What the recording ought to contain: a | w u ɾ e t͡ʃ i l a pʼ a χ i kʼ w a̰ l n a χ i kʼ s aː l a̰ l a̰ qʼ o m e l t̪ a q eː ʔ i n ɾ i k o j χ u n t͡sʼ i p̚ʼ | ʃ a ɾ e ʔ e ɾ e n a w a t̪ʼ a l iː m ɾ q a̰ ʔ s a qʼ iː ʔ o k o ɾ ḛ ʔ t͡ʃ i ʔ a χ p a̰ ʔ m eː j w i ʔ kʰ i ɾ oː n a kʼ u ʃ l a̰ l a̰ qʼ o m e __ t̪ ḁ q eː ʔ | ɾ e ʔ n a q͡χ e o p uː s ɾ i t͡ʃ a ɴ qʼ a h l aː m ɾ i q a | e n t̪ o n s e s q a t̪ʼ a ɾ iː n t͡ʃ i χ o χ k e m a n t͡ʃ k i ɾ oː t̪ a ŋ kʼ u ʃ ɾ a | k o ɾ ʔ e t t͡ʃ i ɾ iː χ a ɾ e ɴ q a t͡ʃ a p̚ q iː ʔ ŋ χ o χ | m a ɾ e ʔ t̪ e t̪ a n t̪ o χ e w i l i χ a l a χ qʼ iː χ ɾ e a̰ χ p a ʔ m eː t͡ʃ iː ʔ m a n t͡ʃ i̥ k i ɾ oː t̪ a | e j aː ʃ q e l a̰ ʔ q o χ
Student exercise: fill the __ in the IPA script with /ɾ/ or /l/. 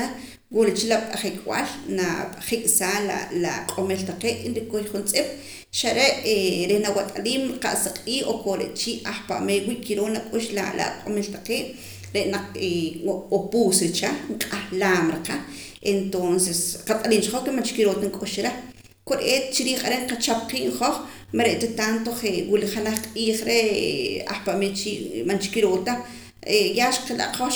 l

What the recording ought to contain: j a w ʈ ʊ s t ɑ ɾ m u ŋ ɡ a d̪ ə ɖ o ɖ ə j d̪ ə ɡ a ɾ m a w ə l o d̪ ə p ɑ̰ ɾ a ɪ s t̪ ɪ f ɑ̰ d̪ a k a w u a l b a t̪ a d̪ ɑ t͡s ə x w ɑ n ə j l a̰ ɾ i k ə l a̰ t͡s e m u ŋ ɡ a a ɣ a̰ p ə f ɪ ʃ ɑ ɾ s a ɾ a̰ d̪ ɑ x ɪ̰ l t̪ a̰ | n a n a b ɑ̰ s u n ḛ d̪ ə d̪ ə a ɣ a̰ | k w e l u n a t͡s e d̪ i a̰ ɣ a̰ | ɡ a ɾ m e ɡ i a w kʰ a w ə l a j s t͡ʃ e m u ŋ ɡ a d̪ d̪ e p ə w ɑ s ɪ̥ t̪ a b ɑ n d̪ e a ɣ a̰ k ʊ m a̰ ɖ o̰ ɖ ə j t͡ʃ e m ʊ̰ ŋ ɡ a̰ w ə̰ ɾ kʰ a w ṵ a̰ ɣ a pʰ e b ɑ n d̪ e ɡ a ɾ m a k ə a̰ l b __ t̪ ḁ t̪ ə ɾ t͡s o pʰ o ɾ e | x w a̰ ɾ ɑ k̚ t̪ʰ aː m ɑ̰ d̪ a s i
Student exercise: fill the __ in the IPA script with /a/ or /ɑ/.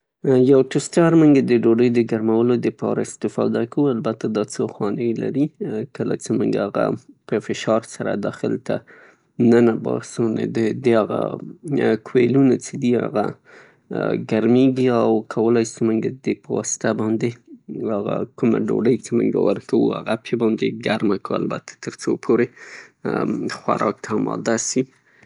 a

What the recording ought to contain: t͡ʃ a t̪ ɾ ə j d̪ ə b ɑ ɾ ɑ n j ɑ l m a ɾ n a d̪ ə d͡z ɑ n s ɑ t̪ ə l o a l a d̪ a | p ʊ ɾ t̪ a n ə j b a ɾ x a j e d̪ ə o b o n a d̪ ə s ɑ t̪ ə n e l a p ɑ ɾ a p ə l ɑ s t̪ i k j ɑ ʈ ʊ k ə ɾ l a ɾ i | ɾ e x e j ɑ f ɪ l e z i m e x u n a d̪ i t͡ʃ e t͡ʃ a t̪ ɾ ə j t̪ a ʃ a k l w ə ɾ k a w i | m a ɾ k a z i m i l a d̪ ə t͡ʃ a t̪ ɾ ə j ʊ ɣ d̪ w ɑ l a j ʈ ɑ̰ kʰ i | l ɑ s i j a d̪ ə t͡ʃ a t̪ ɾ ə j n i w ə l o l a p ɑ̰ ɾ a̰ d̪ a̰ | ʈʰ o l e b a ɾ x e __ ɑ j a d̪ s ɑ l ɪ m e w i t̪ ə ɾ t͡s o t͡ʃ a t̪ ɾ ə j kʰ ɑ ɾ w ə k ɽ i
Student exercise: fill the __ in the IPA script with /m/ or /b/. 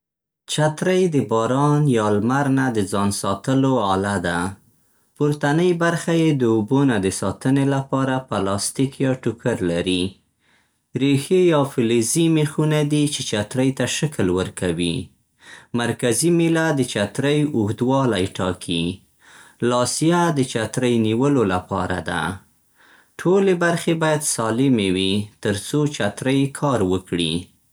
b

